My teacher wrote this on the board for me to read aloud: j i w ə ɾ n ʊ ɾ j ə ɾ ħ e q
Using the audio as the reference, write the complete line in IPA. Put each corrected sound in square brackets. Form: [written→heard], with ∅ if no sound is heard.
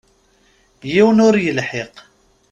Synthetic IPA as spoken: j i w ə [ɾ→∅] n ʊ ɾ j ə [ɾ→l] ħ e q